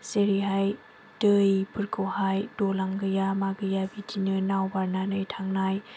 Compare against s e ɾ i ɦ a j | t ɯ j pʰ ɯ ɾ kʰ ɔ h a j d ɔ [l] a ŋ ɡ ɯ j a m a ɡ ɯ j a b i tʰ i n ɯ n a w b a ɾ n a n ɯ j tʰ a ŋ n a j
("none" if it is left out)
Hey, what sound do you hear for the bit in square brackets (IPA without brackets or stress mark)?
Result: l